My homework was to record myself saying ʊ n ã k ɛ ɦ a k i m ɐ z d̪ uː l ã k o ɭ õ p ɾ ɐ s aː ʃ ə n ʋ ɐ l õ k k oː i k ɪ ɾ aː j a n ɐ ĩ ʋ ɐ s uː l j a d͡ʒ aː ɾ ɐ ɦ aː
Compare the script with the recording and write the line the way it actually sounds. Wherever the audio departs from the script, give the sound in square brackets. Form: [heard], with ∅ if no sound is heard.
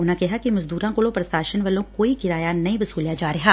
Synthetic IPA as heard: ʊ n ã k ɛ ɦ a k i m ɐ z d̪ uː [ɾ] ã k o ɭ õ p ɾ ɐ s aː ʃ ə n ʋ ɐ l õ k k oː i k ɪ ɾ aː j a n ɐ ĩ ʋ ɐ s uː l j a d͡ʒ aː ɾ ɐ ɦ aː